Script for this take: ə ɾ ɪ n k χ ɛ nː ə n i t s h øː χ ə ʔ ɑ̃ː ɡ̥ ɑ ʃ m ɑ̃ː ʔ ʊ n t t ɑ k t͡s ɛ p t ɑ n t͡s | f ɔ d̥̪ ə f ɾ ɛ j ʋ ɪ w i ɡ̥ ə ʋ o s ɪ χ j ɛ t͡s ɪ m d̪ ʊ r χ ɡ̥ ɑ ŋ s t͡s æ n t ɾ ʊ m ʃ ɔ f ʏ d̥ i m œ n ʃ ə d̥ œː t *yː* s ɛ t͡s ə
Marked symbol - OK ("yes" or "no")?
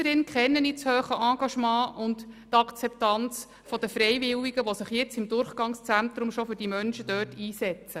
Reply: no